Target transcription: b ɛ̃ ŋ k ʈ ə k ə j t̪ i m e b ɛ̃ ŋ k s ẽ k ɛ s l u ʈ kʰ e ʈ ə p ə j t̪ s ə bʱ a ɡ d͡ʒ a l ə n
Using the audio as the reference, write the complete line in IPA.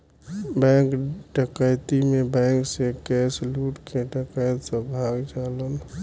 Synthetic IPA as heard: b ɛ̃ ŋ k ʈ ə k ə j t̪ i m e b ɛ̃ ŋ k s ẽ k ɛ s l u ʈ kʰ e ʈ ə k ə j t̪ s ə bʱ a ɡ d͡ʒ a l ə n